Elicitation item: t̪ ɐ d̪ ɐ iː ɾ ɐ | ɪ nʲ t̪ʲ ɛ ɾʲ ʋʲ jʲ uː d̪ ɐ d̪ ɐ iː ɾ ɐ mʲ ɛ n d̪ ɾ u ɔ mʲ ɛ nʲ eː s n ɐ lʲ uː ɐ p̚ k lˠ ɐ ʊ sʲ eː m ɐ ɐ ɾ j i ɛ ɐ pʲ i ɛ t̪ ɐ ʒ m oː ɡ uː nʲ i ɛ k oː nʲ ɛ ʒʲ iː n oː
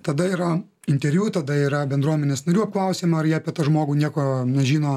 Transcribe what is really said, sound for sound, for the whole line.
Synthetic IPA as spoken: t̪ ɐ d̪ ɐ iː ɾ ɐ | ɪ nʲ t̪ʲ ɛ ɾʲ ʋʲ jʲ uː t̪ ɐ d̪ ɐ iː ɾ ɐ bʲ ɛ n d̪ ɾ u ɔ mʲ ɛ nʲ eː s n ɐ ɾʲ uː ɐ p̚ k lˠ ɐ ʊ sʲ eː m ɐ ɐ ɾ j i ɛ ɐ pʲ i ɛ t̪ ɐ ʒ m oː ɡ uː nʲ i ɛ k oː nʲ ɛ ʒʲ iː n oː